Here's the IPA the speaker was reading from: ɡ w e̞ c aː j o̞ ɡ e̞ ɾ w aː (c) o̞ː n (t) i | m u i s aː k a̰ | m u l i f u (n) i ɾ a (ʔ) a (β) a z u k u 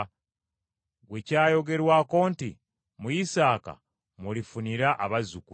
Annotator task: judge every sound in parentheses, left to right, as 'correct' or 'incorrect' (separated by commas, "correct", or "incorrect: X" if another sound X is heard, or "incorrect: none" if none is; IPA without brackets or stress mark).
incorrect: k, correct, correct, correct, correct